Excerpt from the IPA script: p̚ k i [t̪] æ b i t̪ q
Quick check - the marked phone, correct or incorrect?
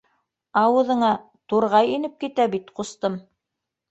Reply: correct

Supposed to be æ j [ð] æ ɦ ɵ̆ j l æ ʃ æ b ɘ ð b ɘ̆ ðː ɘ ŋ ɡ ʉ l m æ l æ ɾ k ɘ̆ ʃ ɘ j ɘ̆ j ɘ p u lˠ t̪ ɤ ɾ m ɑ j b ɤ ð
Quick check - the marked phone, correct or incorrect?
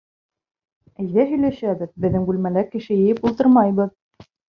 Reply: correct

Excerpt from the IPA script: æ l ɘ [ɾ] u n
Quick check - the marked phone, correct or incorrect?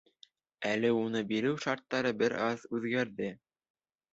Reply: incorrect: none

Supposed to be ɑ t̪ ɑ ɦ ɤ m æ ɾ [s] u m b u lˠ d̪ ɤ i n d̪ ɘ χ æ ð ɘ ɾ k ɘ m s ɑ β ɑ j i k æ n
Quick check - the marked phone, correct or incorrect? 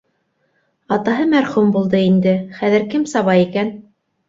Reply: incorrect: χ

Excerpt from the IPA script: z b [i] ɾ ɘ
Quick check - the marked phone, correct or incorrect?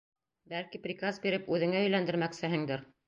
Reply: correct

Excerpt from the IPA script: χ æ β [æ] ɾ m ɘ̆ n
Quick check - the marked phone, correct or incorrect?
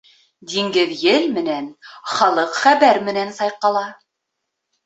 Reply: correct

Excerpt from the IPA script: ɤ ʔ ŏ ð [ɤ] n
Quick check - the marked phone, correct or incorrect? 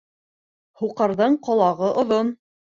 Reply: incorrect: o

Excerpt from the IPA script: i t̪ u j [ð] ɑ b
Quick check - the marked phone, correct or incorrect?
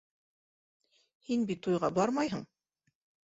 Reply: incorrect: ʁ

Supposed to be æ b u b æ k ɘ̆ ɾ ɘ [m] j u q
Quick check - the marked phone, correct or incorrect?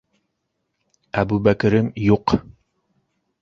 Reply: correct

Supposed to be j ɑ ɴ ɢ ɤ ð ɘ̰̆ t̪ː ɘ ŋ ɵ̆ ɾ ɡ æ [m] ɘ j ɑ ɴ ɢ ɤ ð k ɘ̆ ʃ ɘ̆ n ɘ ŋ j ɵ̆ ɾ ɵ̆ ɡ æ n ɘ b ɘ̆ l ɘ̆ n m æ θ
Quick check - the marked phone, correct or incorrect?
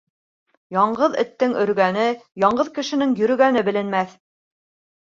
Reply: incorrect: n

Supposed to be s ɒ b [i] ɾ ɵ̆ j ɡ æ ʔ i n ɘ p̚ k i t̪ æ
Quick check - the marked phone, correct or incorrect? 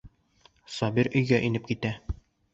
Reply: correct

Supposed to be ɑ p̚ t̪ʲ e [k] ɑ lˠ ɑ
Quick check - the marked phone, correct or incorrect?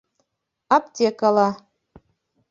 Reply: correct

